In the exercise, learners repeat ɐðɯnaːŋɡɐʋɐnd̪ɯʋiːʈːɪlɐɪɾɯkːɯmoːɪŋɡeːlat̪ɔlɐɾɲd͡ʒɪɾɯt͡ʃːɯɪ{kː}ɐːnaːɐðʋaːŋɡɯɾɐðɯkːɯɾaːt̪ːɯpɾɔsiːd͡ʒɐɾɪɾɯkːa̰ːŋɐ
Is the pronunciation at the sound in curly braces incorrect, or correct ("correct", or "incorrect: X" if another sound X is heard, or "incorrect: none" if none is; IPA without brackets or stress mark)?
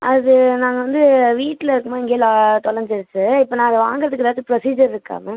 incorrect: pː